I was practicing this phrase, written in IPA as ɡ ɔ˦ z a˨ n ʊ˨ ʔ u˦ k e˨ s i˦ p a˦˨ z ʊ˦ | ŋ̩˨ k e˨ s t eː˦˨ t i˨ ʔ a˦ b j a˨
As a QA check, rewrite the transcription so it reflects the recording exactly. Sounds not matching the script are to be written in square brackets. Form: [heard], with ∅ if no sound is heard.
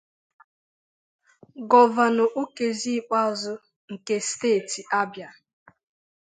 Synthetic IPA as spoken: ɡ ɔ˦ [v] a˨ n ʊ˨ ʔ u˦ k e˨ [z] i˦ [k͡p] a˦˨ z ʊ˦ | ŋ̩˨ k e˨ s t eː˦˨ t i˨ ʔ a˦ b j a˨